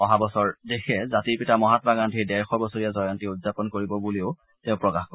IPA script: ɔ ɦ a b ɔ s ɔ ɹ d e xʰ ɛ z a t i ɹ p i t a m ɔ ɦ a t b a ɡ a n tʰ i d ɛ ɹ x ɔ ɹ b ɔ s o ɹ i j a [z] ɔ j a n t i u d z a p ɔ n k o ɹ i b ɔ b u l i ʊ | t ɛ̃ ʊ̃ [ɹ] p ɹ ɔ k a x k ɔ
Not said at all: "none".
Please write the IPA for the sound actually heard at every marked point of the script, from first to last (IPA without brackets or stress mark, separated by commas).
z, none